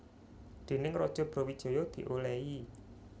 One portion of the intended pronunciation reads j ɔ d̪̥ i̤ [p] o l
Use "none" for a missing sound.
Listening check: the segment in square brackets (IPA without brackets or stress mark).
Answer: ʔ